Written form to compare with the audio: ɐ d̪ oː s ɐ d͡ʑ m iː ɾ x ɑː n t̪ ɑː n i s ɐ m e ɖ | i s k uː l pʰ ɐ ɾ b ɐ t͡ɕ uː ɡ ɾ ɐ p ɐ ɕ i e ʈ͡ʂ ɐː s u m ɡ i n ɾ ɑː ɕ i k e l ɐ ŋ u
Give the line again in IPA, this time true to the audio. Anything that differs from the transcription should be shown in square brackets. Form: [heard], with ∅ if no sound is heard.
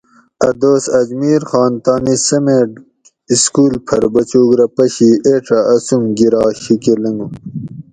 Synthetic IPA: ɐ d̪ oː s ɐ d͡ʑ m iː ɾ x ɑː n t̪ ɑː n i s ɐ m e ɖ | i s k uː l pʰ ɐ ɾ b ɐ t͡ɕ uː ɡ ɾ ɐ p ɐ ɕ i e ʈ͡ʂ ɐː s u m ɡ i [∅] ɾ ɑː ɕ i k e l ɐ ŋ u

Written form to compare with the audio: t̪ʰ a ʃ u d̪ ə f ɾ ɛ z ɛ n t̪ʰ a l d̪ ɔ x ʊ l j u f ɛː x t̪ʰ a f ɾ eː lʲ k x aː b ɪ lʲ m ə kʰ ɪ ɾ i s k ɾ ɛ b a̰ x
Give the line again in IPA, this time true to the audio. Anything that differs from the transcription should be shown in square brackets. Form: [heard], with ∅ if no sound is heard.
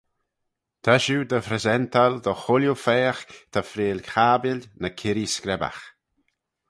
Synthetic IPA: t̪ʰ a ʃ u d̪ ə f ɾ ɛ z ɛ n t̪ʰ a l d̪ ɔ x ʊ l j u f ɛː x t̪ʰ a f ɾ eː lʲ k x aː b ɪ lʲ [n] ə kʰ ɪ ɾ i s k ɾ ɛ b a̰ x

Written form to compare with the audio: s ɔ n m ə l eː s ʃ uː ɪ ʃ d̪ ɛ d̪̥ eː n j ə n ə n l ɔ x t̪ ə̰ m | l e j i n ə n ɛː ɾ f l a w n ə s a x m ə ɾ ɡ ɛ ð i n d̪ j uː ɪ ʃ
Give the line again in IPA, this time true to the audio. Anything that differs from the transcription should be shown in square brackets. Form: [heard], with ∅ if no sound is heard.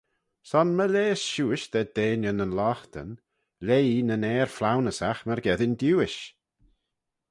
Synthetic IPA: s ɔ n m ə l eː s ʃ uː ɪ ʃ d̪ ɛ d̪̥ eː n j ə n ə n l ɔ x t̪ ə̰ [n] | l e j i n ə n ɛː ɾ f l a w n ə s a x m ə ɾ ɡ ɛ ð [ɪ] n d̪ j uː ɪ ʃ

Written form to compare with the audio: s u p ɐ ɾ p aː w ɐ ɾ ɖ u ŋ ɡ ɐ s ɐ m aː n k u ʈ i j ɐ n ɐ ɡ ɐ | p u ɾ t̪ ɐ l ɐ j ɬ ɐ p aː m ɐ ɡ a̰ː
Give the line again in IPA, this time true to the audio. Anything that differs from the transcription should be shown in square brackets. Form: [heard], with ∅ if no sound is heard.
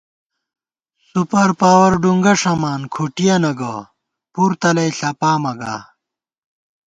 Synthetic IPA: s u p ɐ ɾ p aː w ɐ ɾ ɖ u ŋ ɡ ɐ [ʂ] ɐ m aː n [kʰ] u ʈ i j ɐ n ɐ ɡ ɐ | p u ɾ t̪ ɐ l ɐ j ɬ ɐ p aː m ɐ ɡ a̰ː

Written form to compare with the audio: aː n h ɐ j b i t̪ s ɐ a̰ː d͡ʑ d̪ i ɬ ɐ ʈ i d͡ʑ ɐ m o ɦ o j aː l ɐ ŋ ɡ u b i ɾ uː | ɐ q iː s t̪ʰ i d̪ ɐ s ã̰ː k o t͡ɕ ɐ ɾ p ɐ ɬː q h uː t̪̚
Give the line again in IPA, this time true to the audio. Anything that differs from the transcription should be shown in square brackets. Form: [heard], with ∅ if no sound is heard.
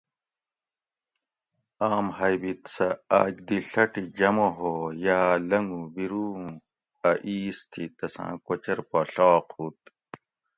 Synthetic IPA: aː [m] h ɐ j b i t̪ s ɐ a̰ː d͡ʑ d̪ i ɬ ɐ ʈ i d͡ʑ ɐ m o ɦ o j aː l ɐ ŋ ɡ u b i ɾ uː | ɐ [ʔ] iː s t̪ʰ i [t̪] ɐ s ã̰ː k o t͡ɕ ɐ ɾ p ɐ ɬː q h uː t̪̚

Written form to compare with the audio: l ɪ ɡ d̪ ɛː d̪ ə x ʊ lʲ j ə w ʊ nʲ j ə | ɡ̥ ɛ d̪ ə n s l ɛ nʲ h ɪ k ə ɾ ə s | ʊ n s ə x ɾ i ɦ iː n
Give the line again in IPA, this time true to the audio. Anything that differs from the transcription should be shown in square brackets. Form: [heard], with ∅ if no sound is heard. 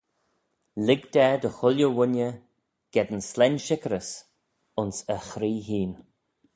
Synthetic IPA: l ɪ ɡ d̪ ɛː d̪ ə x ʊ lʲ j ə w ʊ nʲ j ə | ɡ̥ ɛ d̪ ə n s l ɛ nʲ [ʃ] ɪ k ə ɾ ə s | ʊ n s ə x ɾ [iː] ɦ iː n

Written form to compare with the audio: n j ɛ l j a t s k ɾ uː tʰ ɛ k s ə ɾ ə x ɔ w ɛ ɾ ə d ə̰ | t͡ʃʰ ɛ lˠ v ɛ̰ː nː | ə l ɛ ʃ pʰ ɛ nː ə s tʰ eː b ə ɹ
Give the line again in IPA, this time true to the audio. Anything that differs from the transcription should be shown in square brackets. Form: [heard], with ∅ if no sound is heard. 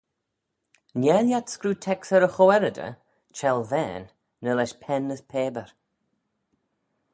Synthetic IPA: n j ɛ l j a t s k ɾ uː tʰ ɛ k s ə ɾ ə x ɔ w ɛ ɾ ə d ə̰ | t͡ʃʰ ɛ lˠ v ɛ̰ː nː | ə l ɛ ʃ pʰ ɛ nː ə s [pʰ] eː b ə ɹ

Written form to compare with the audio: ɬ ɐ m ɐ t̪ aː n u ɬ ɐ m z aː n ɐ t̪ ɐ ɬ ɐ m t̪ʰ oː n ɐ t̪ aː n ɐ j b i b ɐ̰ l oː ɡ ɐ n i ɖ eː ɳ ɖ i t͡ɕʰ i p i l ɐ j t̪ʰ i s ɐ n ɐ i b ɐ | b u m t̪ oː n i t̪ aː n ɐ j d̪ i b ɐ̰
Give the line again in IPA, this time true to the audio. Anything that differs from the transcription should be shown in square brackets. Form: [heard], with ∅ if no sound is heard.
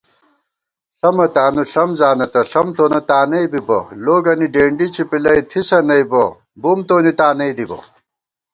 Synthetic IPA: ɬ ɐ m ɐ t̪ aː n u ɬ ɐ m z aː n ɐ t̪ ɐ ɬ ɐ m [t̪] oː n ɐ t̪ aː n ɐ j b i b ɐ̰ l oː ɡ ɐ n i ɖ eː ɳ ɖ i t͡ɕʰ i p i l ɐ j t̪ʰ i s ɐ n ɐ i b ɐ | b u m t̪ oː n i t̪ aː n ɐ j d̪ i b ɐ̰

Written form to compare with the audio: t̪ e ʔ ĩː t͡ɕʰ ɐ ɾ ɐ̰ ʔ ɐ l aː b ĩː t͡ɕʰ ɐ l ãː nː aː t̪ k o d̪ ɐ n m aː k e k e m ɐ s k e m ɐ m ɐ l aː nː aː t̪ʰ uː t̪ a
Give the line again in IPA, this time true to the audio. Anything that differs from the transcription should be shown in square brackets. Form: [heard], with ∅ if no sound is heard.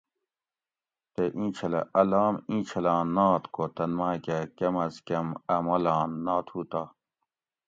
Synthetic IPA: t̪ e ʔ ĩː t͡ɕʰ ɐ [l] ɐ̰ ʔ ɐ l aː [m] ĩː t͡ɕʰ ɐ l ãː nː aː t̪ k o [t̪] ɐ n m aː k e k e m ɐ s k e m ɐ m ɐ l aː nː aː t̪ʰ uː t̪ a

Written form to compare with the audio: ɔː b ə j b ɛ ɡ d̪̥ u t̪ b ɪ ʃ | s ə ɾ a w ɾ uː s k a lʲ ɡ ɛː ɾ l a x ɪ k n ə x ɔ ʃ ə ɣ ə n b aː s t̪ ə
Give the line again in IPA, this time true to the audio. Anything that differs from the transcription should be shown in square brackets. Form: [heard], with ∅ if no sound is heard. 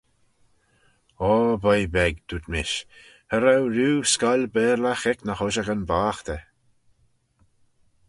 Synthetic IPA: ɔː b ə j b ɛ ɡ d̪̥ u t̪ [m] ɪ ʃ | [h] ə ɾ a w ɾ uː s k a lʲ [b] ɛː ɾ l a x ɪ k n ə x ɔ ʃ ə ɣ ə n b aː [x] t̪ ə

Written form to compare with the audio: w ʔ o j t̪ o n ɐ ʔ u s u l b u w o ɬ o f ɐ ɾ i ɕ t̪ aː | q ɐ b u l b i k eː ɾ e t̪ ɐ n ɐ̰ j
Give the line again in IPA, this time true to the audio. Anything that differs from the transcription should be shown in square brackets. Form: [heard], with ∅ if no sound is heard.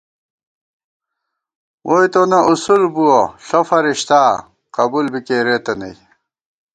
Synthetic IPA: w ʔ o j t̪ o n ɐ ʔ u s u l b u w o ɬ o f ɐ ɾ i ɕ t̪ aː | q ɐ b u l b i k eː ɾ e t̪ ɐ n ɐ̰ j

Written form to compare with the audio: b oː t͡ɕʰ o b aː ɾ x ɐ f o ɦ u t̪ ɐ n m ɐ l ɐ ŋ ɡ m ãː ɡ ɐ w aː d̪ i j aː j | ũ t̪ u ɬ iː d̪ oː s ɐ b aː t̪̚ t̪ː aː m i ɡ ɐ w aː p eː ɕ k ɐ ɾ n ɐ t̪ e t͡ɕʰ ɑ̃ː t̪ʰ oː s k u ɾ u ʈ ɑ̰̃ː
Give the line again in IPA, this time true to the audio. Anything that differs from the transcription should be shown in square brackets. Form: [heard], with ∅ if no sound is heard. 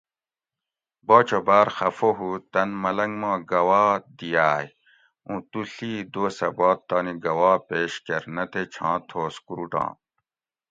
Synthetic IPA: b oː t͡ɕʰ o b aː ɾ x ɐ f o ɦ u t̪ ɐ n m ɐ l ɐ ŋ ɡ m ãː ɡ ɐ w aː d̪ i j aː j | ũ t̪ u ɬ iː d̪ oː s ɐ b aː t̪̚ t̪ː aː [n] i ɡ ɐ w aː p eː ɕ k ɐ ɾ n ɐ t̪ e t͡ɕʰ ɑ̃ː t̪ʰ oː s k u ɾ u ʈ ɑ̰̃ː

